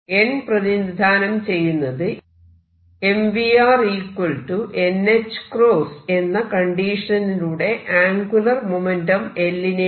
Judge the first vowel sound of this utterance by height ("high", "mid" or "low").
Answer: mid